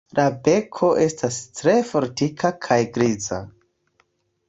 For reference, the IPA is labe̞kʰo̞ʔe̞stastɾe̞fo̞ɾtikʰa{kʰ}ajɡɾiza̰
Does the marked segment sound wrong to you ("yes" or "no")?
no